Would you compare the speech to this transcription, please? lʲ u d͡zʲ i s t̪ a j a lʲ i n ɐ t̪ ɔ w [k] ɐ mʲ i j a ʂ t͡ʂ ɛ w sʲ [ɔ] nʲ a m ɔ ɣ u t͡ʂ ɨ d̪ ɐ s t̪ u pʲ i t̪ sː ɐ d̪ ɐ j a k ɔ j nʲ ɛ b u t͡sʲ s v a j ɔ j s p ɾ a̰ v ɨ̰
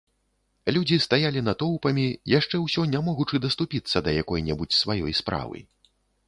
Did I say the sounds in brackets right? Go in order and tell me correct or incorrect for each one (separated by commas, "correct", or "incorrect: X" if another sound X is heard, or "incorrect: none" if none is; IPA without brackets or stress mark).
incorrect: p, correct